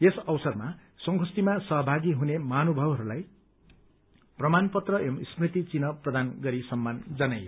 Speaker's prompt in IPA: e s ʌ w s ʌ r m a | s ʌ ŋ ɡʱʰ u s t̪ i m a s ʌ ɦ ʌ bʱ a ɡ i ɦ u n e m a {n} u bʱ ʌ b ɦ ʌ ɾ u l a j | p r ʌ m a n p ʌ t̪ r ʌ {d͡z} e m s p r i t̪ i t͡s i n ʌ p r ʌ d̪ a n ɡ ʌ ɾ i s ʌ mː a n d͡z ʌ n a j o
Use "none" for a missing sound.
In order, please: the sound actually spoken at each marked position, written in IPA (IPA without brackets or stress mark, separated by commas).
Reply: n, none